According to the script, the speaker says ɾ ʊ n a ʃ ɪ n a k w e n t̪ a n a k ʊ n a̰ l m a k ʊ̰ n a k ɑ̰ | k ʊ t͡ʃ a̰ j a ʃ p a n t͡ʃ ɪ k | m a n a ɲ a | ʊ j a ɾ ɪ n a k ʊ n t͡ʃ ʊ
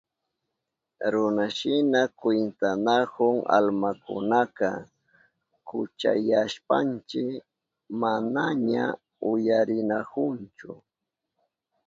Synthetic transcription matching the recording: ɾ ʊ n a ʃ ɪ n a k w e n t̪ a n a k ʊ ŋ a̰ l m a k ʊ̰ n a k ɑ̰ | k ʊ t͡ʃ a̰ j a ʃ p a n t͡ʃ ɪ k | m a n a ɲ a | ʊ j a ɾ ɪ n a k ʊ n t͡ʃ ʊ